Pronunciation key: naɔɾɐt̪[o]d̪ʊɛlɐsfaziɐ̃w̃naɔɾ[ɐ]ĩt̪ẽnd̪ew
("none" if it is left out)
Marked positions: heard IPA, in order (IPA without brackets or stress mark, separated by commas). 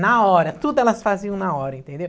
u, ɐ